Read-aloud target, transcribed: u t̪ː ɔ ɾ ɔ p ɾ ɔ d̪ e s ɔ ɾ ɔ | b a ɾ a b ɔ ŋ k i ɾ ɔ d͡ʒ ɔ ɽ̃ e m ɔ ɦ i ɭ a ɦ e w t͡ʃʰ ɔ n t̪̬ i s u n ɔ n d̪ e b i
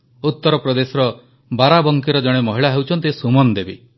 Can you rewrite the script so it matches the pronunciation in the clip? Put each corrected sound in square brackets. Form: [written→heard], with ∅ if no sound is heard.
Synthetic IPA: u t̪ː ɔ ɾ ɔ p ɾ ɔ d̪ e s ɔ ɾ ɔ | b a ɾ a b ɔ ŋ k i ɾ ɔ d͡ʒ ɔ ɽ̃ e m ɔ ɦ i ɭ a ɦ e w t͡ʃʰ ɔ n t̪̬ i s u [n→m] ɔ n d̪ e b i